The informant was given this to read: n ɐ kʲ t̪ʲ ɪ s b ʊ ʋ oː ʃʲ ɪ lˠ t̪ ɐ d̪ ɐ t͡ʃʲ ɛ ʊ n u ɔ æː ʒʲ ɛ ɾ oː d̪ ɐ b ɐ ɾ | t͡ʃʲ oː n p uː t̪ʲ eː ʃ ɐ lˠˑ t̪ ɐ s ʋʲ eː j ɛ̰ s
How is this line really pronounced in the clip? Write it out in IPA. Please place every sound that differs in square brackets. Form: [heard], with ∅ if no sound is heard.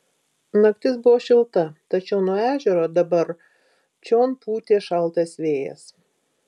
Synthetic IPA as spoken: n ɐ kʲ t̪ʲ ɪ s b ʊ ʋ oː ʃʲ ɪ lˠ t̪ ɐ [t̪] ɐ t͡ʃʲ ɛ ʊ n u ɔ æː ʒʲ ɛ ɾ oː d̪ ɐ b ɐ ɾ | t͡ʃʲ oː n p uː t̪ʲ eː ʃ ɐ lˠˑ t̪ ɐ s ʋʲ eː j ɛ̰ s

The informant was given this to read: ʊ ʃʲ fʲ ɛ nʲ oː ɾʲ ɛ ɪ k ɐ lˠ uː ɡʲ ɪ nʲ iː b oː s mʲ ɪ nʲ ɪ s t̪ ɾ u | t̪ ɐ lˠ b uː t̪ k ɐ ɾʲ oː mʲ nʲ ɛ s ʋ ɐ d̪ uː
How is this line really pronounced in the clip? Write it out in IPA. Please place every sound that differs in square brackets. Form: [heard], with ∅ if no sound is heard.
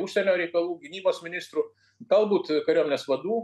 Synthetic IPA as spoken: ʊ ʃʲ [sʲ] ɛ nʲ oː ɾʲ ɛ ɪ k ɐ lˠ uː ɡʲ ɪ nʲ iː b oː s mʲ ɪ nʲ ɪ s t̪ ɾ u | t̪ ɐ lˠ b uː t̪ k ɐ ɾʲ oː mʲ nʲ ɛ s ʋ ɐ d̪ uː

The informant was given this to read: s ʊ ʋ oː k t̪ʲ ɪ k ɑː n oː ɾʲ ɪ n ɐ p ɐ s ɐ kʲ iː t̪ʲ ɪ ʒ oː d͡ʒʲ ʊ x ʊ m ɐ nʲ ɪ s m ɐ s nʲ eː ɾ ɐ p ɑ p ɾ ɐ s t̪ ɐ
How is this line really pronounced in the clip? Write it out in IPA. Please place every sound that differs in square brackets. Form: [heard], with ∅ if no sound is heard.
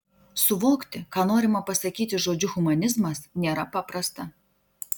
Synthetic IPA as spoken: s ʊ ʋ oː k t̪ʲ ɪ k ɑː n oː ɾʲ ɪ [m] ɐ p ɐ s ɐ kʲ iː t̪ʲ ɪ ʒ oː d͡ʒʲ ʊ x ʊ m ɐ nʲ ɪ [z] m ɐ s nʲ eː ɾ ɐ p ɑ p ɾ ɐ s t̪ ɐ

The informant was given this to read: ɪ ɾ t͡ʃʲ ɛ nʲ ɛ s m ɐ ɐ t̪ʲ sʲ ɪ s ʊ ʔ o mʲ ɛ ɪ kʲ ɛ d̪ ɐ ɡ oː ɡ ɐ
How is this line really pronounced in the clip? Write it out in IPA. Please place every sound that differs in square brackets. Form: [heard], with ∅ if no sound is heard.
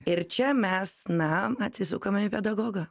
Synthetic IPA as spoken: ɪ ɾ t͡ʃʲ ɛ [mʲ] ɛ s [n] ɐ ɐ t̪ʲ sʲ ɪ s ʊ [k] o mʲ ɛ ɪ [pʲ] ɛ d̪ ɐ ɡ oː ɡ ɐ

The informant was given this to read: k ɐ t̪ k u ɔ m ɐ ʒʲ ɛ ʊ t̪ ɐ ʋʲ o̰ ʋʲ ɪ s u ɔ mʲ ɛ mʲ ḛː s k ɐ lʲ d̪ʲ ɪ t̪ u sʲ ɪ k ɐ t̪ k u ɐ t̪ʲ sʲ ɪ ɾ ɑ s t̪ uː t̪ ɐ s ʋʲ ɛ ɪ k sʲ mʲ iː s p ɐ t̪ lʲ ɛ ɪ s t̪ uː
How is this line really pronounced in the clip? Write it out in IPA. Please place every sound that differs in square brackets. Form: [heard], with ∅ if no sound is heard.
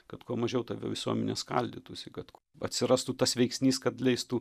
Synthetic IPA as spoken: k ɐ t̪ k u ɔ m ɐ ʒʲ ɛ ʊ t̪ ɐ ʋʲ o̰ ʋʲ ɪ s u ɔ mʲ ɛ [nʲ] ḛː s k ɐ lʲ d̪ʲ ɪ t̪ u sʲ ɪ k ɐ t̪ k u ɐ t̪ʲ sʲ ɪ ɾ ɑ s t̪ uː t̪ ɐ s ʋʲ ɛ ɪ k sʲ [nʲ] iː s [k] ɐ t̪ lʲ ɛ ɪ s t̪ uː

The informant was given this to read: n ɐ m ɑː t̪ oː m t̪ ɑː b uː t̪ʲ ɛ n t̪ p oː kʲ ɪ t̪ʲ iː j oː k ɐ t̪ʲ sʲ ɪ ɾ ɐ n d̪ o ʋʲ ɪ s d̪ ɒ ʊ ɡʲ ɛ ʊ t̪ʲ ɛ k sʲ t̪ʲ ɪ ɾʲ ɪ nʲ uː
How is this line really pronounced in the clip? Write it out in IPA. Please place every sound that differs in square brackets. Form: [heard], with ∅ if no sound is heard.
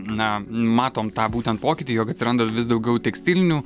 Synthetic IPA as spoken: n ɐ m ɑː t̪ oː m t̪ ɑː b uː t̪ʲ ɛ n t̪ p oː kʲ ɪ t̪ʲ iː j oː k ɐ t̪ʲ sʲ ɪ ɾ ɐ n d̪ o ʋʲ ɪ s d̪ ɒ ʊ ɡʲ ɛ ʊ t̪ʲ ɛ k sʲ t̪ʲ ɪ [lʲ] ɪ nʲ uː

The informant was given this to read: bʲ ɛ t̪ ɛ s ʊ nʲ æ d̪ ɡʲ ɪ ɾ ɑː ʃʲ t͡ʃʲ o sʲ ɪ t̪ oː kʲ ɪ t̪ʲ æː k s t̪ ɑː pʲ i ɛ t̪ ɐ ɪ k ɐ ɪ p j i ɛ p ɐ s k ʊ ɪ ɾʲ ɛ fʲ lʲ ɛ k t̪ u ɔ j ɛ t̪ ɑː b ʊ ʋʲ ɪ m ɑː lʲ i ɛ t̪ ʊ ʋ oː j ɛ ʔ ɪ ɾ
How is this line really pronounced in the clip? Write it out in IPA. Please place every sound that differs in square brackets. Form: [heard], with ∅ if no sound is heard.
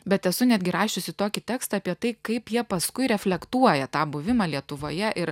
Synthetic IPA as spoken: bʲ ɛ t̪ ɛ s ʊ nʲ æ d̪ ɡʲ ɪ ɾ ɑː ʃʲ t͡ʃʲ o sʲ ɪ t̪ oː kʲ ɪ t̪ʲ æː k s t̪ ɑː pʲ i ɛ t̪ ɐ ɪ k ɐ ɪ p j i ɛ p ɐ s k ʊ ɪ ɾʲ ɛ fʲ lʲ ɛ k t̪ u ɔ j ɛ t̪ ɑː b ʊ ʋʲ ɪ m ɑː lʲ i ɛ t̪ ʊ ʋ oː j ɛ ʔ ɪ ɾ

